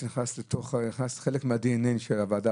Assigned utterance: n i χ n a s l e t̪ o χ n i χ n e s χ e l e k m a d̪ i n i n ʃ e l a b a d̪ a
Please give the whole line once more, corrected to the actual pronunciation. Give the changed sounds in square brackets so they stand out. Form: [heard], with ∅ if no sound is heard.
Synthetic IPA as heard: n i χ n a s l e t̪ o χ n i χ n [a] s χ e l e k m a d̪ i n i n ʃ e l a [v] a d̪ a